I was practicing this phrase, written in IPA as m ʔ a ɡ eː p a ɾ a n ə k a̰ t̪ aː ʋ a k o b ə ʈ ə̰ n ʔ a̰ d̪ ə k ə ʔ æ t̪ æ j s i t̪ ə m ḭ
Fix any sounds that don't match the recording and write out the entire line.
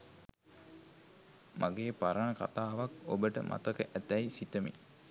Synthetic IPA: m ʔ a ɡ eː p a ɾ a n ə k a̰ t̪ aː ʋ a k o b ə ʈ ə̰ m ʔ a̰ t̪ ə k ə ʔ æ t̪ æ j s i t̪ ə m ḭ